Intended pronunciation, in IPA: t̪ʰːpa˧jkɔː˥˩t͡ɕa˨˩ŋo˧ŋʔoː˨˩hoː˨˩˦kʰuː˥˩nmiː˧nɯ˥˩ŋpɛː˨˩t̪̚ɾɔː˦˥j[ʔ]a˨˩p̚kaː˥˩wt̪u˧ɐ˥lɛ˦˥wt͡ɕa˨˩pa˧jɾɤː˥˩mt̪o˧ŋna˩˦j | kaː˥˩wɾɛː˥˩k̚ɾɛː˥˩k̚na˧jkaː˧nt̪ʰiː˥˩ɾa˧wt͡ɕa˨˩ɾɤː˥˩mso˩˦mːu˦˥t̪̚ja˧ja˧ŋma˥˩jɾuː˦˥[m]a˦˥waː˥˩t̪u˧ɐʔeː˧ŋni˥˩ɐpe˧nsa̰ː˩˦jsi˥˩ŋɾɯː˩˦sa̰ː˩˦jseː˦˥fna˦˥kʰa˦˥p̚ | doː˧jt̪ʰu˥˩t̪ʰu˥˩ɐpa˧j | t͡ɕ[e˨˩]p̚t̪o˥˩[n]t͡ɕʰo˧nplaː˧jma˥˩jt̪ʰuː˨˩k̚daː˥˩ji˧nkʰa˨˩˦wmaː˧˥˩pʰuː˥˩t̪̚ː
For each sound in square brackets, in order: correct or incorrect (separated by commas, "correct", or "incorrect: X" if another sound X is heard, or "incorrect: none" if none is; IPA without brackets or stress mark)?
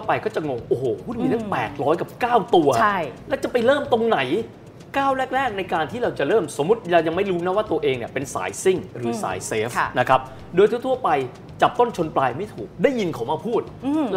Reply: incorrect: k, incorrect: n, incorrect: a˨˩, correct